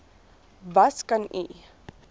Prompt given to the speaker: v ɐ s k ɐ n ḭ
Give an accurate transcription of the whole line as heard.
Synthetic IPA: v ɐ s k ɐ n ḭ